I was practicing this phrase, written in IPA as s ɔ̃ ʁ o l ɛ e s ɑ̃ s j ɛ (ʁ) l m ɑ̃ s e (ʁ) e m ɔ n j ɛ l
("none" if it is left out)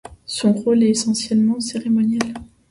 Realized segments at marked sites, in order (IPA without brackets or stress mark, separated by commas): none, ʁ